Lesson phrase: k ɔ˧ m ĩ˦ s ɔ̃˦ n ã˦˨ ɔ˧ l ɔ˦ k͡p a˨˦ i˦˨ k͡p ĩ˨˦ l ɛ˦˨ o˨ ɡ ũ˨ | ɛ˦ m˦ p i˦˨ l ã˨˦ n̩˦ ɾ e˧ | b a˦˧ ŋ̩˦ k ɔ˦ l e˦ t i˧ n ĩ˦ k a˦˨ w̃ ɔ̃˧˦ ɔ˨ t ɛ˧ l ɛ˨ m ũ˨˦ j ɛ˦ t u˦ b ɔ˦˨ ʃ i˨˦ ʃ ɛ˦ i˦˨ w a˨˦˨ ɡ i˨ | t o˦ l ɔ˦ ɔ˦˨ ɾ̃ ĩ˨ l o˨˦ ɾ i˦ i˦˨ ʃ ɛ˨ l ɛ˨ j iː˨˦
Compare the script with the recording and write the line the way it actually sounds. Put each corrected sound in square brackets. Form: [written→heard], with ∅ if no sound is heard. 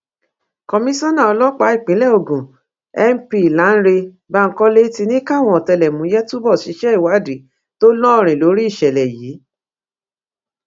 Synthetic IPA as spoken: k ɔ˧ m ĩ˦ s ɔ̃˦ n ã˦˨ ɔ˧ l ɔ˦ k͡p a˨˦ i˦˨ k͡p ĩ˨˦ l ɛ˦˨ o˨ ɡ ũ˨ | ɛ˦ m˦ p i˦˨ l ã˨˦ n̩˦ ɾ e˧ | b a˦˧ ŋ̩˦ k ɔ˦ l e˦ t i˧ n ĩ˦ k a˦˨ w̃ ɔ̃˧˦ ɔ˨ t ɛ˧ l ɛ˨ m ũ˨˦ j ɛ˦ t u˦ b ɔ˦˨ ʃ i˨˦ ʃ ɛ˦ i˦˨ w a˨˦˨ [ɡ→d] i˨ | t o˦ l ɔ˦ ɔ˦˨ ɾ̃ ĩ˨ l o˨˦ ɾ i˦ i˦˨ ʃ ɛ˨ l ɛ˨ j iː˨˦

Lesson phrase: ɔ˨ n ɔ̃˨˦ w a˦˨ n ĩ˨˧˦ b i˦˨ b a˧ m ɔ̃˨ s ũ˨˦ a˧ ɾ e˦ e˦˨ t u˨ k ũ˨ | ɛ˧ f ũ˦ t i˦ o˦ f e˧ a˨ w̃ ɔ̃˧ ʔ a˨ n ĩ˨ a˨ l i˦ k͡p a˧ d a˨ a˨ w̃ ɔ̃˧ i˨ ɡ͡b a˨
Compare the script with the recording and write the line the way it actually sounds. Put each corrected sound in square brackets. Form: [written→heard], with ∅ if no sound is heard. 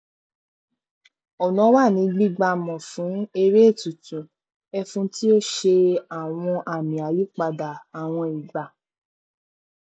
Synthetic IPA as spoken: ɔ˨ n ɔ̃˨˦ w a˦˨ n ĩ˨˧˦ [b→ɡ͡b] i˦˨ [b→ɡ͡b] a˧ m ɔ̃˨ [s→f] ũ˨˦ [a˧→e˧] ɾ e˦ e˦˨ t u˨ [k→t] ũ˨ | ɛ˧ f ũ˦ t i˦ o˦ [f→ʃ] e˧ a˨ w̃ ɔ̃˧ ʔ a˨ [n→m] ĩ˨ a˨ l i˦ k͡p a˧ d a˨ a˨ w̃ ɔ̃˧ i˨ ɡ͡b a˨

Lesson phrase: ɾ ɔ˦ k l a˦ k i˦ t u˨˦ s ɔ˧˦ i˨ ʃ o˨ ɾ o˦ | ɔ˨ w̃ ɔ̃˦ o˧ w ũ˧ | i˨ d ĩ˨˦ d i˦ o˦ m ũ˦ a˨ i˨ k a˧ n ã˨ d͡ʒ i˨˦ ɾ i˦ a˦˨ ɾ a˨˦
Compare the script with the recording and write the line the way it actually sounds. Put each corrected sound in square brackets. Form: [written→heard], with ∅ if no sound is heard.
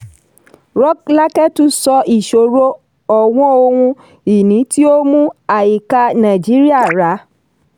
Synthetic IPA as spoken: ɾ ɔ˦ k l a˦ k [i˦→ɛ˦] t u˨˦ s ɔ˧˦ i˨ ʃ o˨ ɾ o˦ | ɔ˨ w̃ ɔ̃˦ o˧ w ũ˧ | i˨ [d→n] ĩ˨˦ [d→t] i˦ o˦ m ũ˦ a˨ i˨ k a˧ n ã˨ d͡ʒ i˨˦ ɾ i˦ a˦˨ ɾ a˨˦

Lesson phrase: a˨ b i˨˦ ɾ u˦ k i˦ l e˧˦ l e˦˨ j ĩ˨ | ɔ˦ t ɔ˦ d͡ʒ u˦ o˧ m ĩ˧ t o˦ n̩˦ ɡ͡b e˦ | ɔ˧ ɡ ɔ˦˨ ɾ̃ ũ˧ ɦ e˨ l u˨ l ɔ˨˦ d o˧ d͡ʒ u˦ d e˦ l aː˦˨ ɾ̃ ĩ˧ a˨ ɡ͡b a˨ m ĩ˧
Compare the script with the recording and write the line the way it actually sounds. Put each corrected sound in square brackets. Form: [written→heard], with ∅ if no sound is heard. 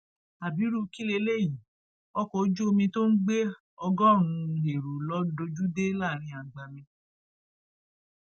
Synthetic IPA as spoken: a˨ b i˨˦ ɾ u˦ k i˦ l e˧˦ l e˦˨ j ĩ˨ | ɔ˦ [t→k] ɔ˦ d͡ʒ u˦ o˧ m ĩ˧ t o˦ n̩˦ ɡ͡b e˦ | ɔ˧ ɡ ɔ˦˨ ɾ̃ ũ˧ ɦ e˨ [l→ɾ] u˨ l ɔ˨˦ d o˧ d͡ʒ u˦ d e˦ l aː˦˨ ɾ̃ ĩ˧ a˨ ɡ͡b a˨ m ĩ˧

